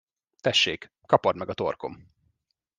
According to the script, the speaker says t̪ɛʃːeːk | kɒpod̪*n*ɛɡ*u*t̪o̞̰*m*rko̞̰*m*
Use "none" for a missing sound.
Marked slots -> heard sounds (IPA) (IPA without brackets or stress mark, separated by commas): m, ɒ, none, m